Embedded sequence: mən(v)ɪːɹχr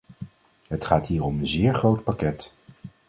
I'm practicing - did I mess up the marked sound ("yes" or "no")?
yes